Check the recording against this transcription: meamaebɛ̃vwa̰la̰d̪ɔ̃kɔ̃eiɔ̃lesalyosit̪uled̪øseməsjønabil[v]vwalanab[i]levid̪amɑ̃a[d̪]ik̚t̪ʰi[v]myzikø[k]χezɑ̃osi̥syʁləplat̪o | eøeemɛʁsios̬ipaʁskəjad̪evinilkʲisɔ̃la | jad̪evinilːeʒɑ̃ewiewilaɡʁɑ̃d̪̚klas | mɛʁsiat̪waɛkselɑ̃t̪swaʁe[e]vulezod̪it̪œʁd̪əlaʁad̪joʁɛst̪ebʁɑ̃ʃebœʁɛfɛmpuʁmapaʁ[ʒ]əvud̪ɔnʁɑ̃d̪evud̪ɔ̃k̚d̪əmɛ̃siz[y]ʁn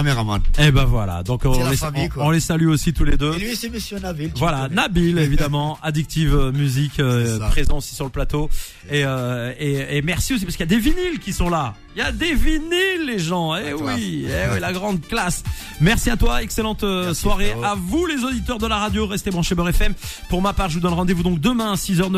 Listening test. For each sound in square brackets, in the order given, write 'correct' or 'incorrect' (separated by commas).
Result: correct, correct, correct, correct, incorrect, incorrect, correct, incorrect